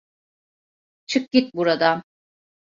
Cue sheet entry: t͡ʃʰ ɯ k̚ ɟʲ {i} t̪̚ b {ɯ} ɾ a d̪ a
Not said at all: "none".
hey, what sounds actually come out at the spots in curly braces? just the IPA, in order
i, u

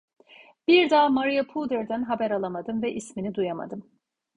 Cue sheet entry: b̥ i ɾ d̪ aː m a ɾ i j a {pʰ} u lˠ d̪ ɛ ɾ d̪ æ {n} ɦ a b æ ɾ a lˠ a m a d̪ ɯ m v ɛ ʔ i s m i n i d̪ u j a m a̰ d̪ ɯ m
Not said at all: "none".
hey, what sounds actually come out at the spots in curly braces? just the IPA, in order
pʰ, n

